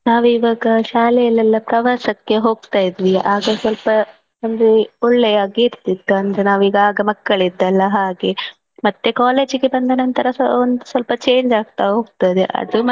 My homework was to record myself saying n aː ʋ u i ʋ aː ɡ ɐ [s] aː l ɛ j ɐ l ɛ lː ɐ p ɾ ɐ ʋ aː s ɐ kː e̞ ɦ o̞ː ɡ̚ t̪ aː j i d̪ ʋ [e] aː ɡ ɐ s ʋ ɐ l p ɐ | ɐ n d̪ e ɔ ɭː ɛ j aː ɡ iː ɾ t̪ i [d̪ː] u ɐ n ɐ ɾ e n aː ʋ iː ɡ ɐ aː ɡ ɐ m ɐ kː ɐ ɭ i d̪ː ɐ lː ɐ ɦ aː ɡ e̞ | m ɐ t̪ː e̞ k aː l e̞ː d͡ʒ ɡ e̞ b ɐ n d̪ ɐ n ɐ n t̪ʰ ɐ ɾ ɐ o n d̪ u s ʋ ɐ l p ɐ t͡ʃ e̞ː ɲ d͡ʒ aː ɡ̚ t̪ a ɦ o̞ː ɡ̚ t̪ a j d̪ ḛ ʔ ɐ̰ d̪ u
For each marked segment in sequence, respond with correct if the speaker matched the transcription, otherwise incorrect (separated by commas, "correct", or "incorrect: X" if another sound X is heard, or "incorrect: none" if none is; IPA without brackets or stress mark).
incorrect: ʃ, incorrect: i, correct